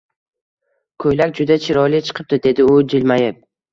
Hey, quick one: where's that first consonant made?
velum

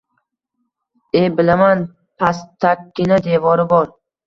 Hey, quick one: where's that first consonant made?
lips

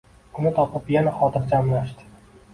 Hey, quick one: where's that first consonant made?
tongue tip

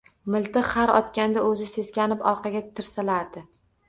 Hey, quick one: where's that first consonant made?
lips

